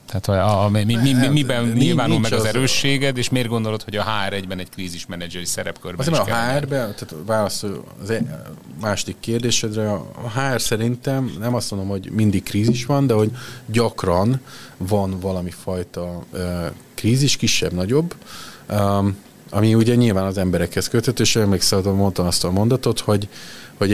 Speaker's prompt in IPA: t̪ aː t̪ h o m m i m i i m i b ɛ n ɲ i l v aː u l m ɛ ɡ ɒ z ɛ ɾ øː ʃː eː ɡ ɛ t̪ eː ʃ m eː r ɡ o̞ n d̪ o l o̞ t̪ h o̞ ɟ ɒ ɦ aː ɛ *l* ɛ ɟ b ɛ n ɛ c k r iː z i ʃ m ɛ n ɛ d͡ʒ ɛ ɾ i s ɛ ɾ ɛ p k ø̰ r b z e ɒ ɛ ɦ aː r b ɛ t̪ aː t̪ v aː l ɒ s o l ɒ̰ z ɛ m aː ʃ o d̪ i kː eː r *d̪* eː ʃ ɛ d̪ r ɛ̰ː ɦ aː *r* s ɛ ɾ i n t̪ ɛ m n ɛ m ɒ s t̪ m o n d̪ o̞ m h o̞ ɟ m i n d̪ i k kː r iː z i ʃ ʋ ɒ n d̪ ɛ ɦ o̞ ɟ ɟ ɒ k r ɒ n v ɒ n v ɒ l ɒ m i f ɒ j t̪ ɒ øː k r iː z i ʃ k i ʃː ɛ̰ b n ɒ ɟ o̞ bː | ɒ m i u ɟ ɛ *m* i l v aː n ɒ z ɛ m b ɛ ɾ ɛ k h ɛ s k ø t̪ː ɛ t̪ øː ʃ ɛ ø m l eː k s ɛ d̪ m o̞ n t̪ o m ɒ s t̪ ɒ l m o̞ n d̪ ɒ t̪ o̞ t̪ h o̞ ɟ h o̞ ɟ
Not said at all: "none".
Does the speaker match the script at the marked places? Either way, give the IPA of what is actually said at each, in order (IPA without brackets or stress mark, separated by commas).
ɾ, d̪, r, ɲ